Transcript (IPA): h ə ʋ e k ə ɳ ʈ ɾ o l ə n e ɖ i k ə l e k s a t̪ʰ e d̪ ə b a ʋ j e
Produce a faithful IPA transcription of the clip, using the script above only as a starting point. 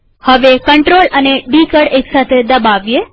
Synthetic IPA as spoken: h ə ʋ e k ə ɳ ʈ ɾ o l ə n e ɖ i k ə ɽ e k s a t̪ʰ e d̪ ə b a ʋ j e